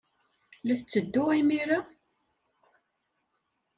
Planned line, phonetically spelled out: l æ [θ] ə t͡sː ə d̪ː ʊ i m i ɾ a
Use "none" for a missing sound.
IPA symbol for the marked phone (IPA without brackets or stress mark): θ